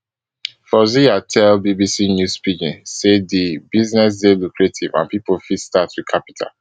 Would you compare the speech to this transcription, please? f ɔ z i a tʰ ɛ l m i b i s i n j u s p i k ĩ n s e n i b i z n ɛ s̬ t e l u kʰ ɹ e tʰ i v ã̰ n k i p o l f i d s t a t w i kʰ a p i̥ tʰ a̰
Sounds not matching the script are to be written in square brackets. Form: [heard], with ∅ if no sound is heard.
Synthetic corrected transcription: f ɔ z i a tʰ ɛ l [b] i b i s i n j u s p i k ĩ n s e [d] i b i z n ɛ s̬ [d] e l u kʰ ɹ e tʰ i v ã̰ n [p] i p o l f i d s t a t w i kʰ a p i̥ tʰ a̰